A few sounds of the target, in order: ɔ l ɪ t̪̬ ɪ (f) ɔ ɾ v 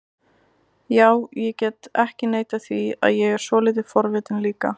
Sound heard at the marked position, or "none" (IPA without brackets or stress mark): f